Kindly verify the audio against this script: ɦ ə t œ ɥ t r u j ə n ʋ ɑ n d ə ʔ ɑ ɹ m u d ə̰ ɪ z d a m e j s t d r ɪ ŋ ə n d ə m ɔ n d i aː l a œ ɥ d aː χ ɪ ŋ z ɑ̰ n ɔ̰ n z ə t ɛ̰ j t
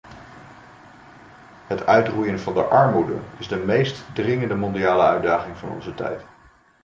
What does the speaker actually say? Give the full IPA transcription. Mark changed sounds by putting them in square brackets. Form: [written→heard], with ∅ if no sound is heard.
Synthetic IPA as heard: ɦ ə t œ ɥ t r u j ə n [ʋ→v] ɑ n d ə ʔ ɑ ɹ m u d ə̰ ɪ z d [a→ə] m e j s t d r ɪ ŋ ə n d ə m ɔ n d i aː l [a→ə] œ ɥ d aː χ ɪ ŋ [z→v] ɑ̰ n ɔ̰ n z ə t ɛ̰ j t